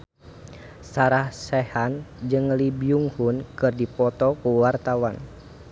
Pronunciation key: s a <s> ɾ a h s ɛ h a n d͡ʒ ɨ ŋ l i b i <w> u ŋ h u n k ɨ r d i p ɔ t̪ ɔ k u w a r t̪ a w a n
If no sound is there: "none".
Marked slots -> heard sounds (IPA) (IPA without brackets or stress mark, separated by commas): none, none